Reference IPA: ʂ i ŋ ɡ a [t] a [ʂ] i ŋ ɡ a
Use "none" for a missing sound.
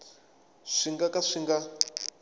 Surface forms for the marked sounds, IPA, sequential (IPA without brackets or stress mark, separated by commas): k, ʂ